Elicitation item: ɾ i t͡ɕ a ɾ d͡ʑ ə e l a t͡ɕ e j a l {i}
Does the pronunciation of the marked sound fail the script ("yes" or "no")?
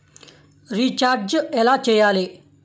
yes